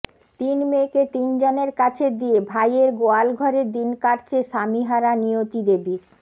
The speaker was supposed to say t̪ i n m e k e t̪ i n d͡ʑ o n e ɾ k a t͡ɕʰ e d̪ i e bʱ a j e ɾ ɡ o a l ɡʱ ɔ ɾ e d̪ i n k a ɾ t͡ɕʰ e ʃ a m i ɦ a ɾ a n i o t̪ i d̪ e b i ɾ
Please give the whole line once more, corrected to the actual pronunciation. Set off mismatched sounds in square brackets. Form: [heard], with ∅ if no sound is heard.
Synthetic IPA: t̪ i n m e k e t̪ i n d͡ʑ o n e ɾ k a t͡ɕʰ e d̪ i e bʱ a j e ɾ ɡ o a l ɡʱ ɔ ɾ e d̪ i n k a ɾ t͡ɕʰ e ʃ a m i ɦ a ɾ a n i o t̪ i d̪ e b i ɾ